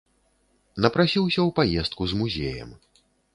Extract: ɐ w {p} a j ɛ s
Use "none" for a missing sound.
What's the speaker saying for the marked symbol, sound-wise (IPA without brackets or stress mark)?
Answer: p